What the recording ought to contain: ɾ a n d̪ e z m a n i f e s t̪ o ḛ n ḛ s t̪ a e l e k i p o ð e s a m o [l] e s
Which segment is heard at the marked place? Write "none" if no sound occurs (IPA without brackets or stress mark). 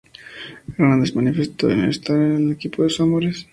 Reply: ɾ